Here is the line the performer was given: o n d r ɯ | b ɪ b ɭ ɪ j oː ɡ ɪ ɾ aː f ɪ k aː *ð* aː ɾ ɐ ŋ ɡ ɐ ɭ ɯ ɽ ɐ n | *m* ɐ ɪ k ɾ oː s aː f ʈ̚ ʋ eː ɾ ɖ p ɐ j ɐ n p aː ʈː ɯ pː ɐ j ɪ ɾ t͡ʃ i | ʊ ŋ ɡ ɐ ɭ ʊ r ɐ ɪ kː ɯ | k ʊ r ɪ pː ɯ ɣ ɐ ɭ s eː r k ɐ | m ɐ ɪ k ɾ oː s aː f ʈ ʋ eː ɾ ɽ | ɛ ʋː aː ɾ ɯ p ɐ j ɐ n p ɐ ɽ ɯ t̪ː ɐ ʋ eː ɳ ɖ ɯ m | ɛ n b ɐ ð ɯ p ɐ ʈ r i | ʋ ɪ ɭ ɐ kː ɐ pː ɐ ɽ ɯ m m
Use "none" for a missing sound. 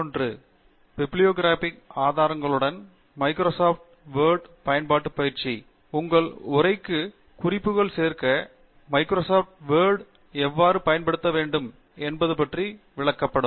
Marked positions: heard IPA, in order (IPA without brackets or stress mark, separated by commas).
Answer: ð, m